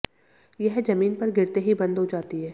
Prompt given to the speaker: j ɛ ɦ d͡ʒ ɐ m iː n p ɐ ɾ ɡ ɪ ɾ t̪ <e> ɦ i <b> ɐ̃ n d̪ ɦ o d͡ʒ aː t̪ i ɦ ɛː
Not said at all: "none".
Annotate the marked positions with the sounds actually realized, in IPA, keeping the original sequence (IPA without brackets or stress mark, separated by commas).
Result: e, b